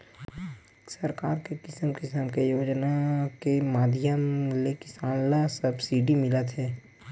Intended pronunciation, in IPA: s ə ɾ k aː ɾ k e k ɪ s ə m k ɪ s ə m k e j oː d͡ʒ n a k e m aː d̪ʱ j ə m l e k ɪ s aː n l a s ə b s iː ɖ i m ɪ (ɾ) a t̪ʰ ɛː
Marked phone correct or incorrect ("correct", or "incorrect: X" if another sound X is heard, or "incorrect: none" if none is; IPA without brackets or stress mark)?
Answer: incorrect: l